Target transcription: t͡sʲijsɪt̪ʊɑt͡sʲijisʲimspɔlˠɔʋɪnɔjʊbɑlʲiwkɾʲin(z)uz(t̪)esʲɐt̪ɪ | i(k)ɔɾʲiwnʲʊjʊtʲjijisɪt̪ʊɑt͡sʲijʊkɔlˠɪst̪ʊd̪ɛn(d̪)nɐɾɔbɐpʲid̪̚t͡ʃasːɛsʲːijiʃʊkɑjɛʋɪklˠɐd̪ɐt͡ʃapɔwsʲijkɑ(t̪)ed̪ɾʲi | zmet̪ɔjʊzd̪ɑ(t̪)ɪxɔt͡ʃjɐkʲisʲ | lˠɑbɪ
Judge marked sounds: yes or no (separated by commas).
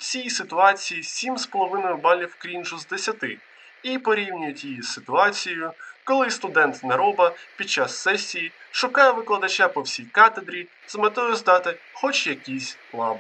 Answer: no, no, no, no, yes, yes